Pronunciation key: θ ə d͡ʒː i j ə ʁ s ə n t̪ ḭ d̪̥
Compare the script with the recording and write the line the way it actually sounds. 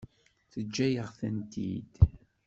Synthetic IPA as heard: θ ə d͡ʒː æ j ə ʁ θ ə n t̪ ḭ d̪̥

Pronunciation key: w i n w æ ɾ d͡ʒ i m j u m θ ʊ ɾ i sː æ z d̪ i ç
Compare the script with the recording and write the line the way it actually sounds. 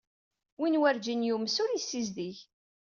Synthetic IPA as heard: w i n w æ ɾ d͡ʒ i n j u m s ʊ ɾ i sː i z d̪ i ç

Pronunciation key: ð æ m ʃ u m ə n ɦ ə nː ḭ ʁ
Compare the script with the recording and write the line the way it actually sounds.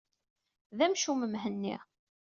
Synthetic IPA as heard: ð æ m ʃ u m ə m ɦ ə nː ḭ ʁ

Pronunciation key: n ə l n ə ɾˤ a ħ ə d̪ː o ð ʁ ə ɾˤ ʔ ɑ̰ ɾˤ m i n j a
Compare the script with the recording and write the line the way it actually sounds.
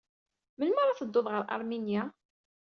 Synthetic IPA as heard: m ə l m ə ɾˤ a θ ə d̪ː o ð ʁ ə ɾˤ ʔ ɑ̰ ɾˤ m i n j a

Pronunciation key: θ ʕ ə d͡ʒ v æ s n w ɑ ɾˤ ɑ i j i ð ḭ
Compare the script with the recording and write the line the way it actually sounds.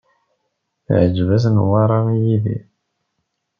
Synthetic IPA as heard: θ ʕ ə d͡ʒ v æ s n w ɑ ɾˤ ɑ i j i ð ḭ

